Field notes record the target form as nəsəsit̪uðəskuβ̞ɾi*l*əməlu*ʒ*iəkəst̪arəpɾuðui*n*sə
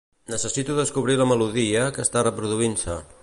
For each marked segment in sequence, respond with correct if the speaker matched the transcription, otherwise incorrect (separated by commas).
correct, incorrect, correct